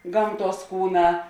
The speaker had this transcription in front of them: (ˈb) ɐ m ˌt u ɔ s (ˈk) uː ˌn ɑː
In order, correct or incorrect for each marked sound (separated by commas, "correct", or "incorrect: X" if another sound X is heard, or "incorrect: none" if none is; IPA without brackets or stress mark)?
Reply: incorrect: ɡ, correct